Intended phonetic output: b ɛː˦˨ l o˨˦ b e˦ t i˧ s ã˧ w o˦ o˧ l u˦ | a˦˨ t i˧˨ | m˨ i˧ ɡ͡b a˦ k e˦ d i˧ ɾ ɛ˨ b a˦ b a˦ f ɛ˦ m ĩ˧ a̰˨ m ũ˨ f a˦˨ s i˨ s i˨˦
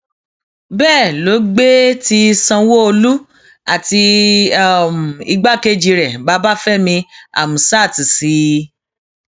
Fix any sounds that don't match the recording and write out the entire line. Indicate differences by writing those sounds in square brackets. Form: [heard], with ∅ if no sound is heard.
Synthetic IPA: b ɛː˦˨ l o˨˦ [ɡ͡b] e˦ t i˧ s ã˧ w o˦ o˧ l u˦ | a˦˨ t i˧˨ | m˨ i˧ ɡ͡b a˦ k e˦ [d͡ʒ] i˧ ɾ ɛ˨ b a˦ b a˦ f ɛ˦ m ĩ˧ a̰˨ m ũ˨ [s] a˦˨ [t] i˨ s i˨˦